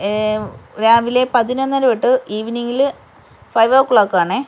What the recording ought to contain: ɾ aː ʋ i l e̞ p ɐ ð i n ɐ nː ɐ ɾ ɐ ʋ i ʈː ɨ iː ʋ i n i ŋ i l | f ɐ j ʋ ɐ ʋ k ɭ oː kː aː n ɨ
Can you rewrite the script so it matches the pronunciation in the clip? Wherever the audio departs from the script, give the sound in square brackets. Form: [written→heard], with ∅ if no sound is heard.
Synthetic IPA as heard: ɾ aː ʋ i l e̞ p ɐ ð i n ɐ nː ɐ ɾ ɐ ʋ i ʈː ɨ iː ʋ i n i ŋ i l | f ɐ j ʋ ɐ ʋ k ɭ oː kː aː [n→ɳ] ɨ